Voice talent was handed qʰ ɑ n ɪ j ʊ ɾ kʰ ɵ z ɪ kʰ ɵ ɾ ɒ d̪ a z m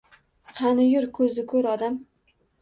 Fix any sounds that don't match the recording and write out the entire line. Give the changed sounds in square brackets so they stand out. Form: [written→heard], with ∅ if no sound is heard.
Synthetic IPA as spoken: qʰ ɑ n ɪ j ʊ ɾ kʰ ɵ z ɪ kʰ ɵ ɾ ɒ d̪ a [z→∅] m